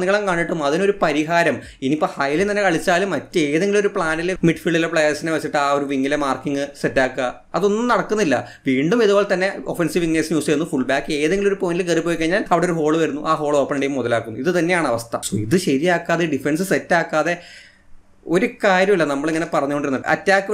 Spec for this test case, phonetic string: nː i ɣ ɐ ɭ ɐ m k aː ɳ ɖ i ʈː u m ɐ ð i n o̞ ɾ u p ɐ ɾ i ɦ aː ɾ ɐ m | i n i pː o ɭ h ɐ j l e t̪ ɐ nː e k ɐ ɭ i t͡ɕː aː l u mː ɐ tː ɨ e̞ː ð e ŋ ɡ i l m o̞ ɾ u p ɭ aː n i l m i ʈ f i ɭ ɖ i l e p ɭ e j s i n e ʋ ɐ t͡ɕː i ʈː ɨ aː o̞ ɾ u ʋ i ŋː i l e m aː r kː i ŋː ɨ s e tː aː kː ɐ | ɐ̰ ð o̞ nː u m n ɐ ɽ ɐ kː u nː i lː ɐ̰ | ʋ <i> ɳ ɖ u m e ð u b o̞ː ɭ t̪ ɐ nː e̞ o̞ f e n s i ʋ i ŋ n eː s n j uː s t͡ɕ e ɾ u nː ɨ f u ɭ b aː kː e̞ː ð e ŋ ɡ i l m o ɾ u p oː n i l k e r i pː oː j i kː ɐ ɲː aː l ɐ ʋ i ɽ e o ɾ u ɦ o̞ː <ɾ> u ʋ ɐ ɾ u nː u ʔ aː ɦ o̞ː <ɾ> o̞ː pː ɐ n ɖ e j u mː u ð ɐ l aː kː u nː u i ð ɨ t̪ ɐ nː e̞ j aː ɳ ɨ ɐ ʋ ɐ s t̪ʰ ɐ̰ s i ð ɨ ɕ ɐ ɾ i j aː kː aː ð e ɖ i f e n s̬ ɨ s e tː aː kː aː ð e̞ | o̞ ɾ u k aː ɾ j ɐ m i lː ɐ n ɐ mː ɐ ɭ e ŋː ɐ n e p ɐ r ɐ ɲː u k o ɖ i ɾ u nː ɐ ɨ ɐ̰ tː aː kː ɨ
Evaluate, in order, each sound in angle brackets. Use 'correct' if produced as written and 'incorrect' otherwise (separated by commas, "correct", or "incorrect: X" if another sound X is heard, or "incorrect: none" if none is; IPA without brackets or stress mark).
incorrect: iː, incorrect: ɭ, incorrect: ɭ